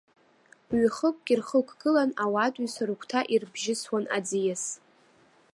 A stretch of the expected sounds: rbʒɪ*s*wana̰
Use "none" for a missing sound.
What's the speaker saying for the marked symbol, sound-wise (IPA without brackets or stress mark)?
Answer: s